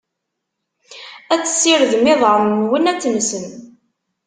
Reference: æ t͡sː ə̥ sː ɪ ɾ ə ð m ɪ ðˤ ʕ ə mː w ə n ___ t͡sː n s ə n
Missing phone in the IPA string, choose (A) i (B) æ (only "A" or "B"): B